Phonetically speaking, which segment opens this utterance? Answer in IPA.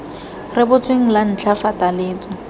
r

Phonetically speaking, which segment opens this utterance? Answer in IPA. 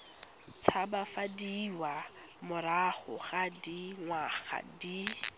t͡sʰ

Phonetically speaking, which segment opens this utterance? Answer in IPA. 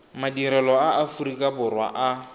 m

